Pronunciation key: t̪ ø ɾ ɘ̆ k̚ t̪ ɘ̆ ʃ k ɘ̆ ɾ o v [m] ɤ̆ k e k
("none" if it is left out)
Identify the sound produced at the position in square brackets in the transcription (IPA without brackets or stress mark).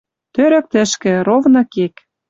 n